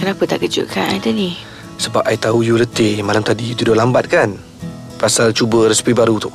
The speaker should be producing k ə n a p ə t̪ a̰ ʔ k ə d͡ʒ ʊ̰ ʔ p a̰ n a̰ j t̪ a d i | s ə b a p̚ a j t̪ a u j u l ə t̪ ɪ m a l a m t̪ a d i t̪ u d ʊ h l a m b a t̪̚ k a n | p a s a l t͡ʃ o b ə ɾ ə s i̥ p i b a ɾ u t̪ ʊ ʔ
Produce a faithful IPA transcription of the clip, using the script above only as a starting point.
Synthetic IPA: k ə n a p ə t̪ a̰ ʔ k ə d͡ʒ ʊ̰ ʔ k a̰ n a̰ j t̪ a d i | s ə b a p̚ a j t̪ a u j u l ə t̪ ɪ m a l a m t̪ a d i t̪ u d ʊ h l a m b a t̪̚ k a n | p a s a l t͡ʃ u b ə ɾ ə s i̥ p i b a ɾ u t̪ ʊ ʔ